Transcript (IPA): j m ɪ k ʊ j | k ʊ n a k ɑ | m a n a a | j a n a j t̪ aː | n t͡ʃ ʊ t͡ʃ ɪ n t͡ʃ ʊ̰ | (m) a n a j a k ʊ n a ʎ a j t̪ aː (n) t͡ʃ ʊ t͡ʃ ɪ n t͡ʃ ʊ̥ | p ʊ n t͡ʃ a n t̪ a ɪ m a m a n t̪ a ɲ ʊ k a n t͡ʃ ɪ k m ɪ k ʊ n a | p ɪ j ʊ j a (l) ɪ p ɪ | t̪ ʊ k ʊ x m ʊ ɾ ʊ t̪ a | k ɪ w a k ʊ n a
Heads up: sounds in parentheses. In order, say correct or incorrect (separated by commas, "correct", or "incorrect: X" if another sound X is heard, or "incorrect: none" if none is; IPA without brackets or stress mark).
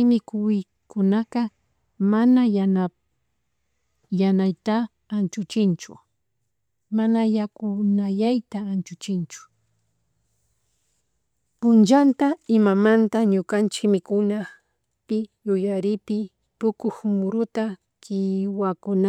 correct, correct, incorrect: ɾ